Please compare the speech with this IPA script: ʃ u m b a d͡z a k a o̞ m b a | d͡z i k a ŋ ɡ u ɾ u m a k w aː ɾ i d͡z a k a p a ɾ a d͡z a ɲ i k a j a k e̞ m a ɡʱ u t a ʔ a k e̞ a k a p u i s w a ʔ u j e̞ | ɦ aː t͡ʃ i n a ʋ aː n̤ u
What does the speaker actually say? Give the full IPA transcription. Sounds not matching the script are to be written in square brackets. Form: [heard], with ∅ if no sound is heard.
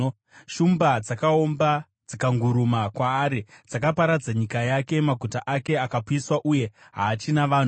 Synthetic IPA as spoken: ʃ u m b a d͡z a k a o̞ m b a | d͡z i k a ŋ ɡ u ɾ u m a k w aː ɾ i d͡z a k a p a ɾ a d͡z a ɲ i k a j a k e̞ m a ɡʱ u t a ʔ a k e̞ a k a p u i s w a ʔ u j e̞ | ɦ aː t͡ʃ i n a ʋ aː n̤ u